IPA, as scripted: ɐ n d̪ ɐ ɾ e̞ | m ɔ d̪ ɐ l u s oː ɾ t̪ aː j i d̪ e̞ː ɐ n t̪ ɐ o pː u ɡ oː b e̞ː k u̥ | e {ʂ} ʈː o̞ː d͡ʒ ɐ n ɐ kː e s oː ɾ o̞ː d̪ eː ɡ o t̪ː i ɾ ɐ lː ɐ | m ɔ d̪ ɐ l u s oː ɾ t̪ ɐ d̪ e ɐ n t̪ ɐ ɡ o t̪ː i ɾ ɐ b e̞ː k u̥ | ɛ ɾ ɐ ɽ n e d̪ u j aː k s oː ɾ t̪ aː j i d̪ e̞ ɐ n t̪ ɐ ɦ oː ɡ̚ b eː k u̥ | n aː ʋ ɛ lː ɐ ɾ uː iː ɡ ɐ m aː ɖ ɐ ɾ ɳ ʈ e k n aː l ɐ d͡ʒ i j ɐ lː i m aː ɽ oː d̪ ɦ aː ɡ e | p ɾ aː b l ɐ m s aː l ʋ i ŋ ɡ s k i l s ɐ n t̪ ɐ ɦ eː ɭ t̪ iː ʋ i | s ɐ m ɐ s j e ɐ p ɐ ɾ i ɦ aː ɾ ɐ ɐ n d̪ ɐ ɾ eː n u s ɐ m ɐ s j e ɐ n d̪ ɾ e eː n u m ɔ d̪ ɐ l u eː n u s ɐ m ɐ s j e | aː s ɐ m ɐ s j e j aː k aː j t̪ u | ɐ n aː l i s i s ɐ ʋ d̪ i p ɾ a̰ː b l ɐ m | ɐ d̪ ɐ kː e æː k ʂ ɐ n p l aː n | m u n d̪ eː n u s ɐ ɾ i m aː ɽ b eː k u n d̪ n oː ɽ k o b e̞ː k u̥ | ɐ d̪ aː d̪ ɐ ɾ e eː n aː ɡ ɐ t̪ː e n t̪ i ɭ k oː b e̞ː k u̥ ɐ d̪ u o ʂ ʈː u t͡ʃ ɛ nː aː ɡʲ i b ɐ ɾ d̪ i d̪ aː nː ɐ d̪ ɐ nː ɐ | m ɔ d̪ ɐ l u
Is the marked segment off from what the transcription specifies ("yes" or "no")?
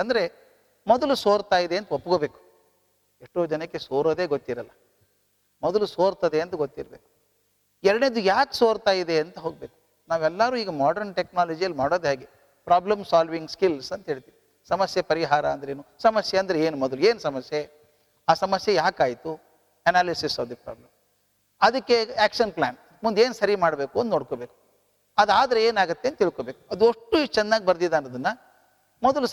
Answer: no